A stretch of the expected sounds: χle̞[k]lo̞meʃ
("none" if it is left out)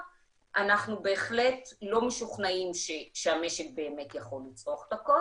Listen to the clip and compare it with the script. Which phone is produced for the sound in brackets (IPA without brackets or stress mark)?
t